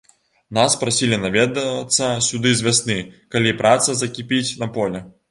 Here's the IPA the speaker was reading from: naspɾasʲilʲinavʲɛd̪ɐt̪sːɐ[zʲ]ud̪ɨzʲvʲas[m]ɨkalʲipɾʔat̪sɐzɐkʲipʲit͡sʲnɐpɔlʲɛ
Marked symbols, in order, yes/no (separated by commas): no, no